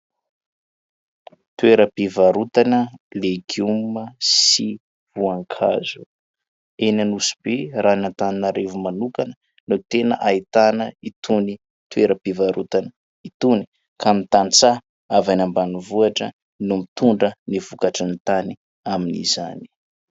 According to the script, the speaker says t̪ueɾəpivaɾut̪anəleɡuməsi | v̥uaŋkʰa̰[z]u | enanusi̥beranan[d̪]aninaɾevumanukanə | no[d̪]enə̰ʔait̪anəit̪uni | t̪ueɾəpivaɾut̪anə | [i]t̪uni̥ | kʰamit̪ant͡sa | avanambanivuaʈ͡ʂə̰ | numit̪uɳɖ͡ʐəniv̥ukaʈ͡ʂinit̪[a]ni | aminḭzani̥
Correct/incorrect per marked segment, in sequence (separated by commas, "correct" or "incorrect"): correct, incorrect, incorrect, correct, correct